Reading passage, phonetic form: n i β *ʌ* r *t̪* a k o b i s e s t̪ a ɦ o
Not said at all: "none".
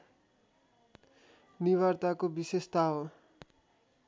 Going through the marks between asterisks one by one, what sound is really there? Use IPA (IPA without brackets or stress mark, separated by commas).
a, t̪